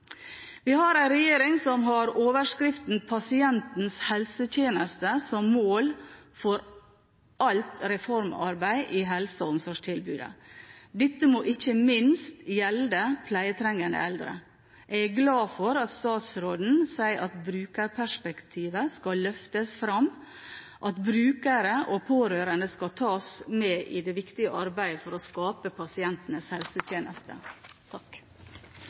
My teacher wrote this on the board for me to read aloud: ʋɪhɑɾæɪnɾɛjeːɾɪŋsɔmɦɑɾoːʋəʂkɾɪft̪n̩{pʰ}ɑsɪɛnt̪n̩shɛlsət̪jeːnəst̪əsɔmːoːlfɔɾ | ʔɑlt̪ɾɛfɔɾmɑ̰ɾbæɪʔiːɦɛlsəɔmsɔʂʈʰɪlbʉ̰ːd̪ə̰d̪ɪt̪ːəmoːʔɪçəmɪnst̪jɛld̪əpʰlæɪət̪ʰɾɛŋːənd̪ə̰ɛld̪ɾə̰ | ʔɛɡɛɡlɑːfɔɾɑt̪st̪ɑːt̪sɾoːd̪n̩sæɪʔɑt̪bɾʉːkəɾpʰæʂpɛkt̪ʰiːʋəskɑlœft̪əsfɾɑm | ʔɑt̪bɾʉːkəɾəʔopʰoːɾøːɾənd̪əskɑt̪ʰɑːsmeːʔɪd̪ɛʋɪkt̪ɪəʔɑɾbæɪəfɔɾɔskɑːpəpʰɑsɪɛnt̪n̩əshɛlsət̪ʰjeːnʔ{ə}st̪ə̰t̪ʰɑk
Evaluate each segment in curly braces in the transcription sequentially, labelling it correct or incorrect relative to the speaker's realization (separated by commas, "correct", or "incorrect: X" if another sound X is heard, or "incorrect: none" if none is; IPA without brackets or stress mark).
correct, correct